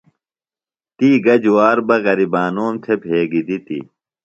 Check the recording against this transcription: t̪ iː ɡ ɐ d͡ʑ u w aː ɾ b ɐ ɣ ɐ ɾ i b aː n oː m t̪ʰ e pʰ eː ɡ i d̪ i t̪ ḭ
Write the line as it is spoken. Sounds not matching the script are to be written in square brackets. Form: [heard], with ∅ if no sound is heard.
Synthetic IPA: t̪ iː ɡ ɐ d͡ʑ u w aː ɾ b ɐ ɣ ɐ ɾ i b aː n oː m t̪ʰ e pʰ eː ɡ i d̪ i t̪ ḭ

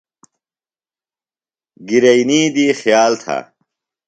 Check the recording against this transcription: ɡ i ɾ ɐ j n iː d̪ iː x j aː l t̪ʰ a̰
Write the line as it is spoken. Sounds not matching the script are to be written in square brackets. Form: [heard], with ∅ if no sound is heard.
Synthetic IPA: ɡ i ɾ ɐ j n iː d̪ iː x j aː l t̪ʰ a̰

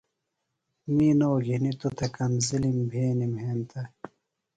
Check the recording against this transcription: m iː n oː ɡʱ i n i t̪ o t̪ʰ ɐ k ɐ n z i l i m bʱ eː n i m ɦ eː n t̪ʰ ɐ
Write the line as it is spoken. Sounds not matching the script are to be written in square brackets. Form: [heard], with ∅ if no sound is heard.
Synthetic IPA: m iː n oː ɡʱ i n i t̪ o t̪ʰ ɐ k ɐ n z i l i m bʱ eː n i m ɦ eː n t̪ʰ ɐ

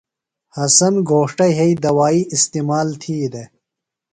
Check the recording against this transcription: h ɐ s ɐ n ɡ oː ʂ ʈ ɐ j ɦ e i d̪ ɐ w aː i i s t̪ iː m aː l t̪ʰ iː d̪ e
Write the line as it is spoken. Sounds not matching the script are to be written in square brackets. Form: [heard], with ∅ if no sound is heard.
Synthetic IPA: h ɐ s ɐ n ɡ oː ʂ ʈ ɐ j ɦ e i d̪ ɐ w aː i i s t̪ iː m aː l t̪ʰ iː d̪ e

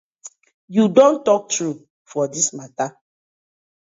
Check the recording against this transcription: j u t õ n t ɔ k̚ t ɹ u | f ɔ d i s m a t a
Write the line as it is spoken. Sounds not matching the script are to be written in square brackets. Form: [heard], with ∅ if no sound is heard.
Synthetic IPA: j u [d] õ n t ɔ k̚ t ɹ u | f ɔ d i s m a t a

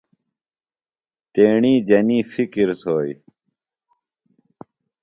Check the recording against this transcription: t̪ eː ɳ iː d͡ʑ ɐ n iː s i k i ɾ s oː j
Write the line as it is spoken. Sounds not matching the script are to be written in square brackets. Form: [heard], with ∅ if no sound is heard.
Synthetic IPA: t̪ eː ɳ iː d͡ʑ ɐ n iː [f] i k i ɾ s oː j

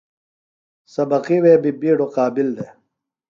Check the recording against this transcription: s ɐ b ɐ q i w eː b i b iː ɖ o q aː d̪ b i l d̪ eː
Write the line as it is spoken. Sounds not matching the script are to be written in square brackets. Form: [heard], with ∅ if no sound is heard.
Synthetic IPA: s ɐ b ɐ q i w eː b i b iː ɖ o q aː [∅] b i l d̪ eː

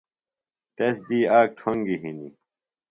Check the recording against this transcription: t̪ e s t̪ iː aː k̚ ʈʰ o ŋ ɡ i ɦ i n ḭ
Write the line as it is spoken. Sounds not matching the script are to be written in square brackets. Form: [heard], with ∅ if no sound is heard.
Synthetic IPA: t̪ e s [d̪] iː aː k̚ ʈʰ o ŋ ɡ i ɦ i n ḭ

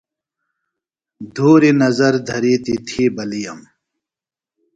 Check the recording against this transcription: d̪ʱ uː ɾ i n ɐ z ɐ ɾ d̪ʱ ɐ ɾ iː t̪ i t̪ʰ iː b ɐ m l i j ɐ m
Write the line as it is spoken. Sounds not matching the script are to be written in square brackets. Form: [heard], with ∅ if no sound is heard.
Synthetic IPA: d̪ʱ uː ɾ i n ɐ z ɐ ɾ d̪ʱ ɐ ɾ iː t̪ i t̪ʰ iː b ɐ [∅] l i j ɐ m

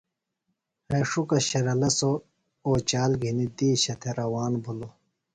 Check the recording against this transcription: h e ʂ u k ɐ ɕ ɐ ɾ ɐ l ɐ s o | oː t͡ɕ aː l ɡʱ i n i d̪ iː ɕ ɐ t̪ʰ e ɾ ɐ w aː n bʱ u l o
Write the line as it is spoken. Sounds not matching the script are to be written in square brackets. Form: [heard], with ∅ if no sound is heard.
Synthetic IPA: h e ʂ u k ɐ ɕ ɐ ɾ ɐ l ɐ s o | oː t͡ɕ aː l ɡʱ i n i d̪ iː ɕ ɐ t̪ʰ e ɾ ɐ w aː n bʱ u l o

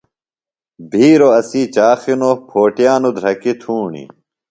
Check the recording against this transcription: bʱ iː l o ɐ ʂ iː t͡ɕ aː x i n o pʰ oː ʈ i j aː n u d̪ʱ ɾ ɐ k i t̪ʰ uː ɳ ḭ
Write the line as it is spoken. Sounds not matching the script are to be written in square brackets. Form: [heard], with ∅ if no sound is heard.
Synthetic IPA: bʱ iː [ɾ] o ɐ [s] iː t͡ɕ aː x i n o pʰ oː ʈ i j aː n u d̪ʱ ɾ ɐ k i t̪ʰ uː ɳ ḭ

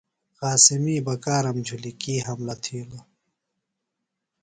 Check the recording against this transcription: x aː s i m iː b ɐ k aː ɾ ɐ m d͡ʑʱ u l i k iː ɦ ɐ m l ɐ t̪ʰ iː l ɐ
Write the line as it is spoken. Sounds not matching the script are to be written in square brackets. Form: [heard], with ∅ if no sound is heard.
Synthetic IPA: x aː s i m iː b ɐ k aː ɾ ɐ m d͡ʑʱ u l i k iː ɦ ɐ m l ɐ t̪ʰ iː l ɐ

